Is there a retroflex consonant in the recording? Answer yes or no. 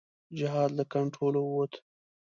yes